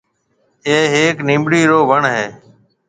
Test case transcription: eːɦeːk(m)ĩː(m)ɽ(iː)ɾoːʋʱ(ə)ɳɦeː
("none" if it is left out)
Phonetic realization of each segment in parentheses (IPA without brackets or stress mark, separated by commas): n, m, iː, ə